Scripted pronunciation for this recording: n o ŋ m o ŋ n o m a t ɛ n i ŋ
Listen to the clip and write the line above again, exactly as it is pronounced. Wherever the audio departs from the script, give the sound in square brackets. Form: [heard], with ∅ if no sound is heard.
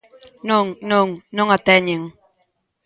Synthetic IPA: n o ŋ [n] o ŋ n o [ŋ] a t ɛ [ɲ] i ŋ